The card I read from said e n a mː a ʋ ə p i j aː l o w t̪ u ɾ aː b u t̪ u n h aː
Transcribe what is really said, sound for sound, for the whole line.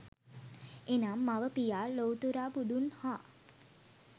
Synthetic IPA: e n a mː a ʋ ə p i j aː l o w t̪ u ɾ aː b u d̪ u n h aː